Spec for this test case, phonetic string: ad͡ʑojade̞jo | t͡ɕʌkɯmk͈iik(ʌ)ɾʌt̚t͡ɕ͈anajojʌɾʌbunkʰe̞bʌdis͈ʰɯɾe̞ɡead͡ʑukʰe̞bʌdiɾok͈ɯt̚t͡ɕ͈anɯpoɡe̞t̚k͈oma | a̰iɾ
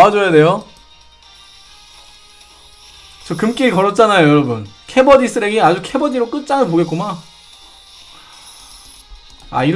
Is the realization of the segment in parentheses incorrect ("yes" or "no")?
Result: no